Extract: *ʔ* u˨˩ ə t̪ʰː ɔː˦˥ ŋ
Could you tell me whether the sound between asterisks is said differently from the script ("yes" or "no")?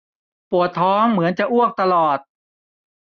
yes